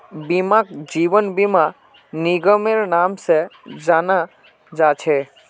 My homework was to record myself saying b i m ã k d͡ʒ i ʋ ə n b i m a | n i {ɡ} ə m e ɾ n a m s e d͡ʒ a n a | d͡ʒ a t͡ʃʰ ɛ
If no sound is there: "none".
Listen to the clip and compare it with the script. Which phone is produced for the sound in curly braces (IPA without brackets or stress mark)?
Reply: ɡ